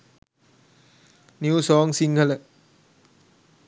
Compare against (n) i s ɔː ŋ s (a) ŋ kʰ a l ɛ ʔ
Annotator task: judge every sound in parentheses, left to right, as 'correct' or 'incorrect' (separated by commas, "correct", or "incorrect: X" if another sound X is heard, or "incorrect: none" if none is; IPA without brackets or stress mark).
correct, incorrect: i